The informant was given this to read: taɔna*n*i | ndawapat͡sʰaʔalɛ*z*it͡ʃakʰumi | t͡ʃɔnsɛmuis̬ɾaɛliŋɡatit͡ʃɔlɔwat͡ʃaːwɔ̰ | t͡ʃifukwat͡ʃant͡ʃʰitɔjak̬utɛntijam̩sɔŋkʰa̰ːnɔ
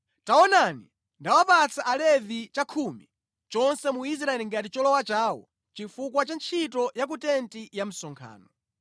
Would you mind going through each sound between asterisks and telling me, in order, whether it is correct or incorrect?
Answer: correct, incorrect

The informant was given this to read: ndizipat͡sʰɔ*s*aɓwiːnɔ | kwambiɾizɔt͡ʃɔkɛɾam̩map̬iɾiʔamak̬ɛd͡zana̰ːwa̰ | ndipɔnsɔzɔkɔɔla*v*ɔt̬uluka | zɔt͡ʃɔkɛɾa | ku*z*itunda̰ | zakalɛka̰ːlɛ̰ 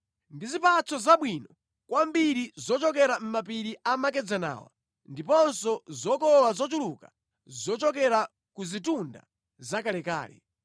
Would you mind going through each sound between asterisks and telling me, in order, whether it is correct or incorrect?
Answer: incorrect, incorrect, correct

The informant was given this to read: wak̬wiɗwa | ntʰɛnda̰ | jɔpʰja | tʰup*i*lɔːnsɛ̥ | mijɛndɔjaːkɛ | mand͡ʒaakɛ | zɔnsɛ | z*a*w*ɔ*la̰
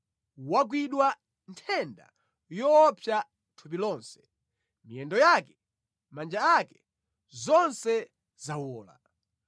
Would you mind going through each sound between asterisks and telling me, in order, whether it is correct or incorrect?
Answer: correct, correct, incorrect

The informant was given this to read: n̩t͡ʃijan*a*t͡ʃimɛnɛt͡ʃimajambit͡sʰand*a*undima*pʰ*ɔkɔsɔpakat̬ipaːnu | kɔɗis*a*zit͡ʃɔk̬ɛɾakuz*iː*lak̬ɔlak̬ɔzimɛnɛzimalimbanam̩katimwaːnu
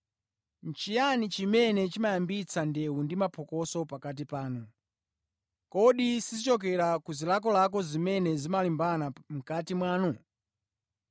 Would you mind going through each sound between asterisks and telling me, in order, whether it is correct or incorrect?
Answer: incorrect, incorrect, correct, incorrect, incorrect

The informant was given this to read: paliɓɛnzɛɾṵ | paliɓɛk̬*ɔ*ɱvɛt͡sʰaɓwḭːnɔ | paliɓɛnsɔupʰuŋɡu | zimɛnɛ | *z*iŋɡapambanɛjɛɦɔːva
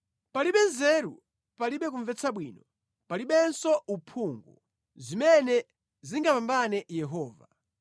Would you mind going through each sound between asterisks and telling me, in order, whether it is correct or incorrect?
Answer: incorrect, correct

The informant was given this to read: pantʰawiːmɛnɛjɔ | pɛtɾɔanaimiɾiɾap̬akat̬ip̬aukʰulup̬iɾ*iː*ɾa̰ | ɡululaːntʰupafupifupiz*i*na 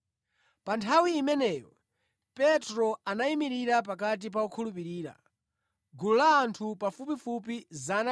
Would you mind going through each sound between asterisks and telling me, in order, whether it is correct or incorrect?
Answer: correct, incorrect

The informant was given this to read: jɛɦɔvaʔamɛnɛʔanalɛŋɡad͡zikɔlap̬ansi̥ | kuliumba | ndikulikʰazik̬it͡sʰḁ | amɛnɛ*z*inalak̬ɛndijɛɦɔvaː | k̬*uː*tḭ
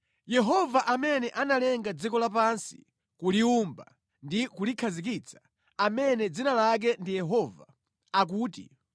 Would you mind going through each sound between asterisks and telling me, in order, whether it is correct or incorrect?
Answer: incorrect, correct

